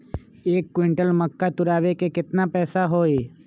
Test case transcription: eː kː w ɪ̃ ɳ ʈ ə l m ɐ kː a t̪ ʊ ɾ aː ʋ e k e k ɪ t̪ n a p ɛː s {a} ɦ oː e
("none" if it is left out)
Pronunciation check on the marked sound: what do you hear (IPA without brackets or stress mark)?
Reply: a